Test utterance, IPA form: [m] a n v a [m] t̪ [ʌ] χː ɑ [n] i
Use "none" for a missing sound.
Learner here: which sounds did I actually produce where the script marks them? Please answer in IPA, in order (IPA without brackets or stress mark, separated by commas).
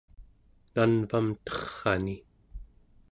n, m, ʌ, n